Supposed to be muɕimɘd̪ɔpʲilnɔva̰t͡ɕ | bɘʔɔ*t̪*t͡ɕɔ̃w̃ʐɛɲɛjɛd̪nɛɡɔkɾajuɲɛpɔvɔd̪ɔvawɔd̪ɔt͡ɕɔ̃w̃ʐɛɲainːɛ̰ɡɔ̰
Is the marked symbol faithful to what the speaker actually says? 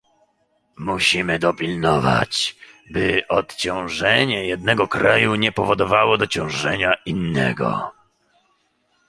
yes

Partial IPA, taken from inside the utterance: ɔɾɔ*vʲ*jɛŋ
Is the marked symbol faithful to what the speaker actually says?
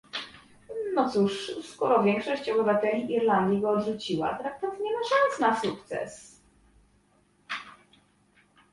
yes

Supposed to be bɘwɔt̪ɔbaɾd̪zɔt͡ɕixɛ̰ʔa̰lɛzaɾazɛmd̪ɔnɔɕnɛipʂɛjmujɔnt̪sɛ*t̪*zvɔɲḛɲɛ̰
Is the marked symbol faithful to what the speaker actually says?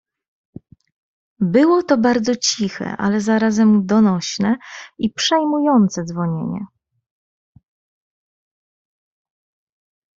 no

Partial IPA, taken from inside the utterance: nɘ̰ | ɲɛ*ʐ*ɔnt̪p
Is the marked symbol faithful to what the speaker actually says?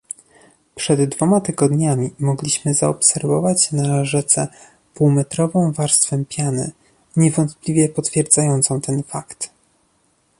no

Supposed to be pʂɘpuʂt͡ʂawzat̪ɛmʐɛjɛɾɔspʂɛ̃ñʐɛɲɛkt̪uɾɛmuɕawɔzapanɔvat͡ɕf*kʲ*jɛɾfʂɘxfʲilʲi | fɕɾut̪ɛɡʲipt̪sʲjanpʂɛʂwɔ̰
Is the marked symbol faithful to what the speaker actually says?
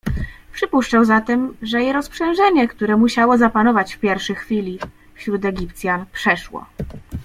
no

